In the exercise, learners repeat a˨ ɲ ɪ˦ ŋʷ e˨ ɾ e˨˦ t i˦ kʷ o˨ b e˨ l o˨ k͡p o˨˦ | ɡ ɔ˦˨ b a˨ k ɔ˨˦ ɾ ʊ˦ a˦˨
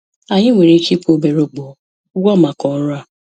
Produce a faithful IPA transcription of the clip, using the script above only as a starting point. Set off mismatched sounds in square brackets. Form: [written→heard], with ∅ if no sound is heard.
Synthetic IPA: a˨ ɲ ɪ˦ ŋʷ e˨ ɾ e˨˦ [t→k] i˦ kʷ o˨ b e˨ [l→ɾ] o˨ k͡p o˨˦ | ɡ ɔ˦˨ [b→m] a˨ k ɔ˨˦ ɾ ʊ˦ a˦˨